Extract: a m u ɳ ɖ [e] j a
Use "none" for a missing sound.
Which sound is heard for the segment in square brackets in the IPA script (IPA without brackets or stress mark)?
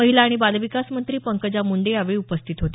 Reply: e